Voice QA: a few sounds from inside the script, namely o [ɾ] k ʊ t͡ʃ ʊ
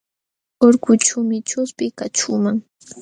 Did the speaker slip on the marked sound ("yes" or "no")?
no